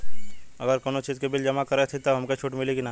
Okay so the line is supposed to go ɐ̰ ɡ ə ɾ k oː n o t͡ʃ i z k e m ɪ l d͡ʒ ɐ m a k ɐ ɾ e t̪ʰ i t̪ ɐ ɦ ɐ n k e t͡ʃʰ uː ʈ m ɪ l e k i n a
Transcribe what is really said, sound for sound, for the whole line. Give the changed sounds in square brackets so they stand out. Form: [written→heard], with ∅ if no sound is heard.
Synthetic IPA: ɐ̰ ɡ ə ɾ k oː n o t͡ʃ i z k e [m→b] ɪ l d͡ʒ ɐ m a k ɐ ɾ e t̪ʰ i t̪ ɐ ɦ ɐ [n→m] k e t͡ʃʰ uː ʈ m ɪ l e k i n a